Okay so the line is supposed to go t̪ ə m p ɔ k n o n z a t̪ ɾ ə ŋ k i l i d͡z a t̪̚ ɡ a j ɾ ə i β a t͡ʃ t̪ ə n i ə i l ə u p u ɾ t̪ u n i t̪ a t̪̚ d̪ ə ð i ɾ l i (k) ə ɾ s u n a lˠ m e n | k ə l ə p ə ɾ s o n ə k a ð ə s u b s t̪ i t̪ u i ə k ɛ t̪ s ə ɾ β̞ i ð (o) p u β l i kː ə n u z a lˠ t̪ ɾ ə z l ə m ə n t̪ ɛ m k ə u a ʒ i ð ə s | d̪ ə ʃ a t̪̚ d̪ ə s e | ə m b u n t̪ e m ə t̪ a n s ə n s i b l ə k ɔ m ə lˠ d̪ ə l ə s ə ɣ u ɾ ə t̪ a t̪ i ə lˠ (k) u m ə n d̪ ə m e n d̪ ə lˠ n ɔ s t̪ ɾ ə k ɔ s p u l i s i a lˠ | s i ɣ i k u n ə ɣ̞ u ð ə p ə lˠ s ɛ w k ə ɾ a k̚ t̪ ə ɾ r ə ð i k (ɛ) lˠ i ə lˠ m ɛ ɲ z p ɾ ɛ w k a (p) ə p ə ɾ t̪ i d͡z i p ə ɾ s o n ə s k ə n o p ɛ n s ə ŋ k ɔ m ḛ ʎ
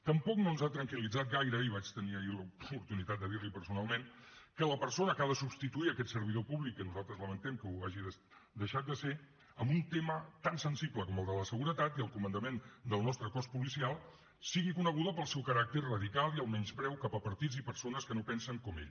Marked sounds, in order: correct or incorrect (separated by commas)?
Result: incorrect, correct, correct, incorrect, correct